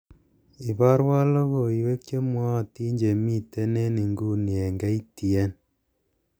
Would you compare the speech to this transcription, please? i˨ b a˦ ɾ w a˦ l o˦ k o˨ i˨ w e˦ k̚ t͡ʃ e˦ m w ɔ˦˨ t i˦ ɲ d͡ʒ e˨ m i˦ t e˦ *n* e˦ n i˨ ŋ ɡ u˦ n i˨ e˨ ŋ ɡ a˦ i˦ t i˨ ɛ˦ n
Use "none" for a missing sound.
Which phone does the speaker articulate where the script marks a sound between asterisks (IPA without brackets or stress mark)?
n